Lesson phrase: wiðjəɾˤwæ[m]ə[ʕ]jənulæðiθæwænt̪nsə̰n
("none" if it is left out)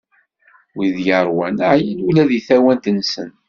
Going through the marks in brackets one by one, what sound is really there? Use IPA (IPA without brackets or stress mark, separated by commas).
n, ʕ